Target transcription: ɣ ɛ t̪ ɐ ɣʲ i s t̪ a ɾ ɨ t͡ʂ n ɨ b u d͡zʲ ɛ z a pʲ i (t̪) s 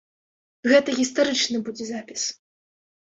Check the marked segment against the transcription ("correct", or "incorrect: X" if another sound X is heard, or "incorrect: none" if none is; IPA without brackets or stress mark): incorrect: none